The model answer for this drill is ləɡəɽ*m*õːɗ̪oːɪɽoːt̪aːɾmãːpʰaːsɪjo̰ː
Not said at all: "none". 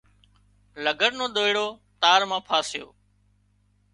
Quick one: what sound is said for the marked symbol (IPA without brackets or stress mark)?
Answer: n